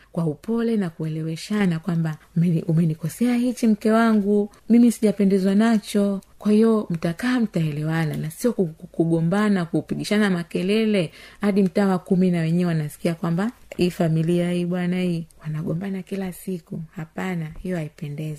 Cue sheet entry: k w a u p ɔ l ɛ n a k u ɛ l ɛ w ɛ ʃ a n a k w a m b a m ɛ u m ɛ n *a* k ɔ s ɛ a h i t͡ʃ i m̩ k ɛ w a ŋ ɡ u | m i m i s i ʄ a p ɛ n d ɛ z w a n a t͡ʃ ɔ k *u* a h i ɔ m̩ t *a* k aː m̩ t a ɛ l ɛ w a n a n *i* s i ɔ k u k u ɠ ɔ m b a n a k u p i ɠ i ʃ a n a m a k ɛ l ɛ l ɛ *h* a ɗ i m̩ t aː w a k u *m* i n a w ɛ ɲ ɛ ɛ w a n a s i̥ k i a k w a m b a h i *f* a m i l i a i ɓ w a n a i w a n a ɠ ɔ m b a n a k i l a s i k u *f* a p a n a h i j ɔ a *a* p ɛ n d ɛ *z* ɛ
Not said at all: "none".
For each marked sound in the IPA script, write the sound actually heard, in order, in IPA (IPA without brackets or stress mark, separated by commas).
i, w, a, a, h, m, f, h, i, z